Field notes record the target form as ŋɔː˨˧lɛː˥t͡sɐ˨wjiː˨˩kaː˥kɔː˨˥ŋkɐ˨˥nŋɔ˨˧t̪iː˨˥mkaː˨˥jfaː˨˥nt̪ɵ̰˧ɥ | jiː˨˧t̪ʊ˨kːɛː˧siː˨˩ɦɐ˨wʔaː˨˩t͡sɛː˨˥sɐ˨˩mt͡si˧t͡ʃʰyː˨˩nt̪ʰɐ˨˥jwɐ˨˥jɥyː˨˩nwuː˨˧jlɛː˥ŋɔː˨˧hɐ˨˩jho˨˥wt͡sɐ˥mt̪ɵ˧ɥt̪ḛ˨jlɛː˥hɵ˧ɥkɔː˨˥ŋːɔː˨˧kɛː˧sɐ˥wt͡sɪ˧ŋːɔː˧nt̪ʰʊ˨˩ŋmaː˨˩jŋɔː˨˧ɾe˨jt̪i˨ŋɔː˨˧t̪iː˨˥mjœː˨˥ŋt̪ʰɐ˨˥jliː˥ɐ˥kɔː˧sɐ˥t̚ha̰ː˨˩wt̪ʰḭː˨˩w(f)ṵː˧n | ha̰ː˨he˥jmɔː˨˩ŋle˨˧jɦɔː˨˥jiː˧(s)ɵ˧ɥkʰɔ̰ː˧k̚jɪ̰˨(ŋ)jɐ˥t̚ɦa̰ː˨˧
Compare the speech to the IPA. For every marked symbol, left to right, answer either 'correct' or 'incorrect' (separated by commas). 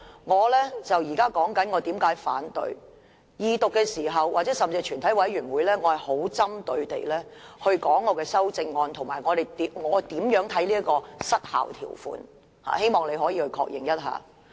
correct, incorrect, correct